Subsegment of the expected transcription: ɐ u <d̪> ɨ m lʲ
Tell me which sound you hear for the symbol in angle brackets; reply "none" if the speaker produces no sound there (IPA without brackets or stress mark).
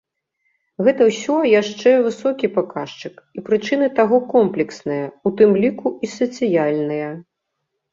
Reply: t̪